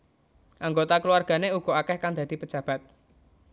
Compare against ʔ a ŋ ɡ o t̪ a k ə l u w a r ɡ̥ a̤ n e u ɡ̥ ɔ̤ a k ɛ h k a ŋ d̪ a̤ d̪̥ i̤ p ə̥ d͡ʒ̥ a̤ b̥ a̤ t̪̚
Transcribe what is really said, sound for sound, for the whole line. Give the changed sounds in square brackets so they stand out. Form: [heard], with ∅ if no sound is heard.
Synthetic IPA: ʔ a ŋ ɡ o t̪ a k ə l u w a r ɡ̥ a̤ n e u ɡ̥ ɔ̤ a k ɛ h k a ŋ d̪ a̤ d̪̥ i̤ p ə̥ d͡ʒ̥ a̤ b̥ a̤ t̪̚

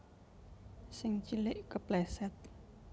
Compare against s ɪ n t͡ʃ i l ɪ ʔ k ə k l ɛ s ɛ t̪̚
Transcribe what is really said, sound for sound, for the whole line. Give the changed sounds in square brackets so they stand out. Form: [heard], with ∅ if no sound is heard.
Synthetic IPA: s ɪ [ŋ] t͡ʃ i l ɪ ʔ k ə [p] l ɛ s ɛ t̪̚

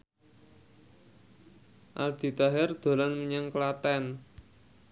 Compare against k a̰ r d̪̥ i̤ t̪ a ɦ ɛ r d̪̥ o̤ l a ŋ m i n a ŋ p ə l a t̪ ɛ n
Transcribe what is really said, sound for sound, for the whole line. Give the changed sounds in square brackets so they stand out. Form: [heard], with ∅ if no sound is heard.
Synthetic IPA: [ʔ] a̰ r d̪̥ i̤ t̪ a ɦ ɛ r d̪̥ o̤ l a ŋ m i [ɲ] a ŋ [k] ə l a t̪ ɛ n

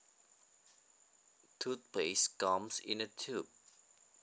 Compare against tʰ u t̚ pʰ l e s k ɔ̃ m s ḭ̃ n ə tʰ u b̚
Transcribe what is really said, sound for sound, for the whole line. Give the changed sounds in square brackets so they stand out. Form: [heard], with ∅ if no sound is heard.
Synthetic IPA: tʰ u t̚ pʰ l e s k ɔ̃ m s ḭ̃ n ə tʰ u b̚

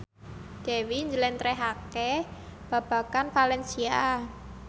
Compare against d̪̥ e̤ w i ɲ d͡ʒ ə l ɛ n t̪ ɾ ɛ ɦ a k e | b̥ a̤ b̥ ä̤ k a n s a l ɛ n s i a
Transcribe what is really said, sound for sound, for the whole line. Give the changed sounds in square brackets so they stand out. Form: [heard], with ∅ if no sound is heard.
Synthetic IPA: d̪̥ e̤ w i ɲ d͡ʒ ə l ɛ n t̪ ɾ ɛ ɦ a k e | b̥ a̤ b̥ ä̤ k a n [f] a l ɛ n s i a

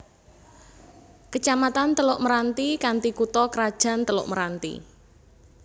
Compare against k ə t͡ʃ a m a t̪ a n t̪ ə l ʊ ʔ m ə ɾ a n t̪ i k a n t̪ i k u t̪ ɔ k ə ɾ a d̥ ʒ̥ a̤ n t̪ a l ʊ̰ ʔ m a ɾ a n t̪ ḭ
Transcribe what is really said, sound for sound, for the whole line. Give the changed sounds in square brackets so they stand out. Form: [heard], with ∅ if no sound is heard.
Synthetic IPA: k ə t͡ʃ a m a t̪ a n t̪ ə l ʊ ʔ m ə ɾ a n t̪ i k a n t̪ i k u t̪ ɔ k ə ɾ a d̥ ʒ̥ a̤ n t̪ [ə] l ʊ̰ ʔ m [ə] ɾ a n t̪ ḭ

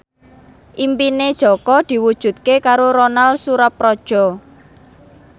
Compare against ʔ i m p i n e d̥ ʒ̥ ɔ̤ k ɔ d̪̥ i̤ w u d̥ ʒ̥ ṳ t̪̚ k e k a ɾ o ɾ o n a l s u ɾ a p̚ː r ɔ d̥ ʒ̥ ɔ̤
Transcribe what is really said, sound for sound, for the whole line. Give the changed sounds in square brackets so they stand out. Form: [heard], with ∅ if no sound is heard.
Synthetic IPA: ʔ i m p i n e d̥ ʒ̥ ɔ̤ k ɔ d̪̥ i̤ w u d̥ ʒ̥ ṳ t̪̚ k e k a ɾ o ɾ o n a l s u ɾ a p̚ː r ɔ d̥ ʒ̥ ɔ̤

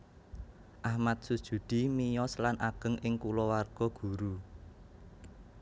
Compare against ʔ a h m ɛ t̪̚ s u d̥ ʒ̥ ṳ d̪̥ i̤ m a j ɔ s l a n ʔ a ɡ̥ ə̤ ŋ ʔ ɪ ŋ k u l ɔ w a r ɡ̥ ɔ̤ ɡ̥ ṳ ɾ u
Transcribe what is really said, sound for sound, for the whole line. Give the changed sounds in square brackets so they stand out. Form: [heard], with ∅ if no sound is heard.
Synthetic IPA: ʔ a h m [a] t̪̚ s u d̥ ʒ̥ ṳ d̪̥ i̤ m [i] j ɔ s l a n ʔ a ɡ̥ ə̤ ŋ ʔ ɪ ŋ k u l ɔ w a r ɡ̥ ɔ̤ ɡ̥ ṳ ɾ u

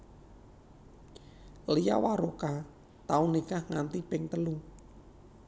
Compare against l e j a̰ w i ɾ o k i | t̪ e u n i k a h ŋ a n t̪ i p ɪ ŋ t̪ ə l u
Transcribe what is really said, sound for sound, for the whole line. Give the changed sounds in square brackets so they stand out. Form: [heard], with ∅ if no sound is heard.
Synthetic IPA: l [i] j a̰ w [a] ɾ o k [a] | t̪ [a] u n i k a h ŋ a n t̪ i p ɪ ŋ t̪ ə l u

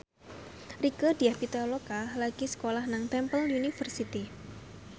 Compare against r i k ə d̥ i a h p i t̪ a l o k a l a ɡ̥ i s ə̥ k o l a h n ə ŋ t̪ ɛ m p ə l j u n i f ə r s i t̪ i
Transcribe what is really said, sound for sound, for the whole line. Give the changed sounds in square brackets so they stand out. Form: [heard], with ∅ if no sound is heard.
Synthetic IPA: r i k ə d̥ i a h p i t̪ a l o k a l a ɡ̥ i s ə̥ k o l a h n [a] ŋ t̪ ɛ m p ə l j u n i f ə r s i t̪ i

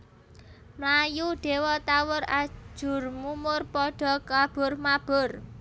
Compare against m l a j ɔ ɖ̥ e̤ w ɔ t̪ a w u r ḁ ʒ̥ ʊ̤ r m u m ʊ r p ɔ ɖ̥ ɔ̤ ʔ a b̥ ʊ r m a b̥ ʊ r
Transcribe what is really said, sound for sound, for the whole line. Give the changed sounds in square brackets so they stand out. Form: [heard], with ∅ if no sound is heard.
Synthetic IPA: m l a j [u] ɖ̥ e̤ w ɔ t̪ a w [ʊ] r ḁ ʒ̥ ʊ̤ r m u m ʊ r p ɔ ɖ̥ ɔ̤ [k] a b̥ ʊ r m a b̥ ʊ r

